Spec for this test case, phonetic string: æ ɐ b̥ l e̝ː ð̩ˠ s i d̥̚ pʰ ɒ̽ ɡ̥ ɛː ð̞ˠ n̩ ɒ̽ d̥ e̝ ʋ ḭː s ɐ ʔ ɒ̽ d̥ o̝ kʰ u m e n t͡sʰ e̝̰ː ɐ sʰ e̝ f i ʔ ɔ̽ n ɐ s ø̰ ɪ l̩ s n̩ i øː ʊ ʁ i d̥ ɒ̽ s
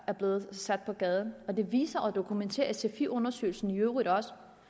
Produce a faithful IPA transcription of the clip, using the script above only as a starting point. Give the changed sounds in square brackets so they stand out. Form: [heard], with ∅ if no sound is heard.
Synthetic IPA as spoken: æ ɐ b̥ l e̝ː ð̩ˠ s [æ] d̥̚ pʰ ɒ̽ ɡ̥ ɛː ð̞ˠ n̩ ɒ̽ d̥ e̝ ʋ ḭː s ɐ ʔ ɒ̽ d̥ o̝ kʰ u m e n t͡sʰ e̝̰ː ɐ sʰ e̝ f i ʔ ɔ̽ n ɐ s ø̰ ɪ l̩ s n̩ i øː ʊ ʁ i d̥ ɒ̽ s